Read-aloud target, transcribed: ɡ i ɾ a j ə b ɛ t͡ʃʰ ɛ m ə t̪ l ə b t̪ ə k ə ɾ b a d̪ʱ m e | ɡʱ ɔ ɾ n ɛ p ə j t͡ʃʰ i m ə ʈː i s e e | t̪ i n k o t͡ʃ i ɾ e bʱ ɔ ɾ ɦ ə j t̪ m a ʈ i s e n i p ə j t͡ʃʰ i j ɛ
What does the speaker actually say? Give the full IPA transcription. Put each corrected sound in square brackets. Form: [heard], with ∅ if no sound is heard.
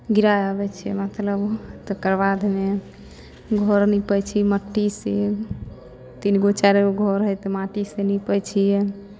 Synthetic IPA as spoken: ɡ i ɾ a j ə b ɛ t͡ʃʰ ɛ m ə t̪ l ə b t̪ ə k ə ɾ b a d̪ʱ m e | ɡʱ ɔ ɾ n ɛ p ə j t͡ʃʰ i m ə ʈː i s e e | t̪ i n [ɡ] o t͡ʃ [a] ɾ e [ɡʱ] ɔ ɾ ɦ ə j t̪ m a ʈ i s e n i p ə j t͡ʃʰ i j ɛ